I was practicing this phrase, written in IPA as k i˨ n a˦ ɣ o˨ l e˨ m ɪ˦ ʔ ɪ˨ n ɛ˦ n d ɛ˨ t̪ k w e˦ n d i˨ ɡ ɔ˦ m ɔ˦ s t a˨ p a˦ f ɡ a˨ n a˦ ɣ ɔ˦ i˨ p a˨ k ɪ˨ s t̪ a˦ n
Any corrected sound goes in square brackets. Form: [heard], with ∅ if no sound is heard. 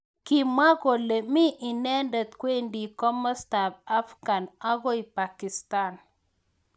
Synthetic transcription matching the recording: k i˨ [m] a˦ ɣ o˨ l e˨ m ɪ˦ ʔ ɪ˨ n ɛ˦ n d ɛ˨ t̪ k w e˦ n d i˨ [k] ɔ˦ m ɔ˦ s t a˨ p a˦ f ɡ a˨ n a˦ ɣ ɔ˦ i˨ p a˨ k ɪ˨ s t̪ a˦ n